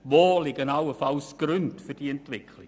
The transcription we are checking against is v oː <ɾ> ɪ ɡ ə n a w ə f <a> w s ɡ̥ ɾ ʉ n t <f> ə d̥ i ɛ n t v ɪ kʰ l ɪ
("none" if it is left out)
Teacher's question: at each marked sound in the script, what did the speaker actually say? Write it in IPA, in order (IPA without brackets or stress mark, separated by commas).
l, a, f